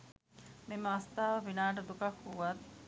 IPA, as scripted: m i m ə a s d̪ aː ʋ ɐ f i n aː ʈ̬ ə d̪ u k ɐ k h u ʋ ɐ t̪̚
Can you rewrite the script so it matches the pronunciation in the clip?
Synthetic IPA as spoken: m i m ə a s t̪ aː ʋ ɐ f i n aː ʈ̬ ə d̪ u k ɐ k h u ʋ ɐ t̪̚